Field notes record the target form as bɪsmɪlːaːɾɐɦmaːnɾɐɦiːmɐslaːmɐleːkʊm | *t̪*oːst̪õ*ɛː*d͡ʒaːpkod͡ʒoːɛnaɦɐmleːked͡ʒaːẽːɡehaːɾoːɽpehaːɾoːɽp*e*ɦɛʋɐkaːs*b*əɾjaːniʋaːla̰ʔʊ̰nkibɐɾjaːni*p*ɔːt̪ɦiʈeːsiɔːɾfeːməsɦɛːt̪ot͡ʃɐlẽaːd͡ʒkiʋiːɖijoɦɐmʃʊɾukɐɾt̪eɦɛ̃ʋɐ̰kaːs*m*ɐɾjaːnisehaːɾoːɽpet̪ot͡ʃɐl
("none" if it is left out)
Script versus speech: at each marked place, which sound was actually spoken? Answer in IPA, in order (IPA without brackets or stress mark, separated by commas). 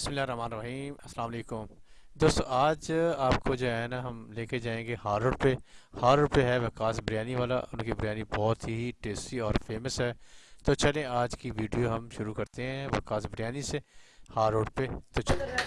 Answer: d̪, aː, e, b, b, b